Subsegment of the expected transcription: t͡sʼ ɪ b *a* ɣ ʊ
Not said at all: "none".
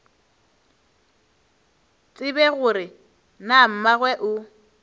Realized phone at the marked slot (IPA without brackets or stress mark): ɛ